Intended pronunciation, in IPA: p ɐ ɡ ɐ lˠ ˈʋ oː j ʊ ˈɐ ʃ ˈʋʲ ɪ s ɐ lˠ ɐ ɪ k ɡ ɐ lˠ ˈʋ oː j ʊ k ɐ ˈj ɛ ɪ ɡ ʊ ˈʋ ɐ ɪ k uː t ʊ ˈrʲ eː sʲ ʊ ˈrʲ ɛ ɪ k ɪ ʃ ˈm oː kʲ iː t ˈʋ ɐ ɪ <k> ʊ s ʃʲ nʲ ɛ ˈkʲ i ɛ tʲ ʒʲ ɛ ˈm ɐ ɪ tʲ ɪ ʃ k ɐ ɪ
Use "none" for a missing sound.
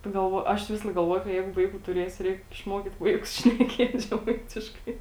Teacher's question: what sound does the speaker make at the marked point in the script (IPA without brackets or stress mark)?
k